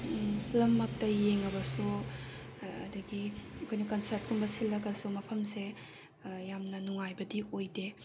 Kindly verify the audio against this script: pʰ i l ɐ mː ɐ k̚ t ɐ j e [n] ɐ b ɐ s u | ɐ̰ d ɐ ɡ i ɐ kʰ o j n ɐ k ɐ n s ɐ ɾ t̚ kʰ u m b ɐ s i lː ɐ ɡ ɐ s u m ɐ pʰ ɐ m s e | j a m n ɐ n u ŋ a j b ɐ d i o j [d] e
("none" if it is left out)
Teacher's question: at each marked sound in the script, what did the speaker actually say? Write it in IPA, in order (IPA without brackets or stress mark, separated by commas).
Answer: ŋ, d